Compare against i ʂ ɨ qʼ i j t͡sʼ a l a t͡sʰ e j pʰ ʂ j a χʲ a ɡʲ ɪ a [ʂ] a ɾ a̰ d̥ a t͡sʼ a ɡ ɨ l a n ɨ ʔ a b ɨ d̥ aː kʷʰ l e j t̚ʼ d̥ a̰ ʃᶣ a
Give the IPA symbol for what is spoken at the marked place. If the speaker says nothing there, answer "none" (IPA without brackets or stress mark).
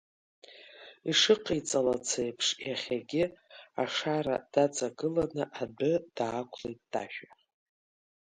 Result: ʂ